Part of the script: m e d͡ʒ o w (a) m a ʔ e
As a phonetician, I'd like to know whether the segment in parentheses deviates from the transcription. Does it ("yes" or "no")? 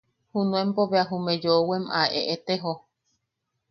yes